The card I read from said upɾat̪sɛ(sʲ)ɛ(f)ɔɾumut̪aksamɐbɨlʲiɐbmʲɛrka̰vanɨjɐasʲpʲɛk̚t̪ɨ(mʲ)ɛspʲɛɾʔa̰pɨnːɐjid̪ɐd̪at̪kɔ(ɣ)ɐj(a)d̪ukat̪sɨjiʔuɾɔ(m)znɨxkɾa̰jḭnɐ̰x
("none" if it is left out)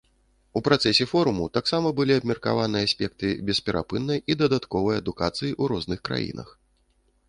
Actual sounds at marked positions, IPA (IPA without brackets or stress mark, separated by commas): sʲ, f, bʲ, v, ɐ, none